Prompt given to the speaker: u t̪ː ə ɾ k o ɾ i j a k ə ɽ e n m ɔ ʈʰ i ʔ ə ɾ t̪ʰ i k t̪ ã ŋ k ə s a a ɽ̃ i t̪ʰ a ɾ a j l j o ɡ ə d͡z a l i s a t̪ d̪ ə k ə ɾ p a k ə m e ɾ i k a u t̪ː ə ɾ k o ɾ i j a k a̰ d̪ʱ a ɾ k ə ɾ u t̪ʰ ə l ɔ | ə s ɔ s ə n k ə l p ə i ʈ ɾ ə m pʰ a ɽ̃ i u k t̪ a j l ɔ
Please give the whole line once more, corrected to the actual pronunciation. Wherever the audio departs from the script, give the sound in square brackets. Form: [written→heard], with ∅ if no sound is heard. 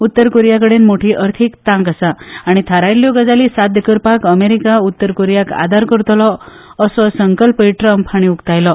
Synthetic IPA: u t̪ː ə ɾ k o ɾ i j a k ə ɽ e n m [ɔ→o] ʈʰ i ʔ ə ɾ t̪ʰ i k t̪ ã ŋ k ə s a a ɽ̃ i t̪ʰ a ɾ a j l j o ɡ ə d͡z a l i s a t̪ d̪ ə k ə ɾ p a k ə m e ɾ i k a u t̪ː ə ɾ k o ɾ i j a k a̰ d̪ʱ a ɾ k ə ɾ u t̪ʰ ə l ɔ | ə s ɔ s ə [n→ŋ] k ə l p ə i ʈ ɾ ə m pʰ a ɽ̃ i u k t̪ a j l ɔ